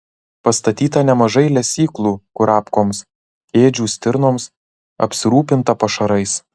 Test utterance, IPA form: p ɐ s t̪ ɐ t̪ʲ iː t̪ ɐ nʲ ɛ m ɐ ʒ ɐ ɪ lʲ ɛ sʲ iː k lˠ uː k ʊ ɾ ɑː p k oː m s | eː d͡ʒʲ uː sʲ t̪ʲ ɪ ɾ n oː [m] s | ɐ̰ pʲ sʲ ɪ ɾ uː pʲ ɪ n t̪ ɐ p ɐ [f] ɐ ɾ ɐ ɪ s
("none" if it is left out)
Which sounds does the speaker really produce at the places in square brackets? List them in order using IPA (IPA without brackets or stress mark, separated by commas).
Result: m, ʃ